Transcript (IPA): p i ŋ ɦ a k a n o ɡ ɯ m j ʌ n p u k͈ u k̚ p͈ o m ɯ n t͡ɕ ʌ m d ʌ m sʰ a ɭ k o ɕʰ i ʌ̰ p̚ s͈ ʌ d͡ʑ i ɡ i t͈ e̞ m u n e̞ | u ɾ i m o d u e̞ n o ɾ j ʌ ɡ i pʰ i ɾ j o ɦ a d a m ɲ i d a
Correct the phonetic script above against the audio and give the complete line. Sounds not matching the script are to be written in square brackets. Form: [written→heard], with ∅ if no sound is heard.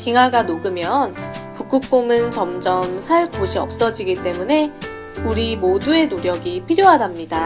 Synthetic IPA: p i ŋ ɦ a [k→ɡ] a n o ɡ ɯ m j ʌ n p u k͈ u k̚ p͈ o m ɯ n t͡ɕ ʌ m [d→d͡ʑ] ʌ m sʰ a ɭ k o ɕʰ i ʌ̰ p̚ s͈ ʌ d͡ʑ i ɡ i t͈ e̞ m u n e̞ | u ɾ i m o d u e̞ n o ɾ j ʌ ɡ i pʰ i ɾ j o ɦ a d a m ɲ i d a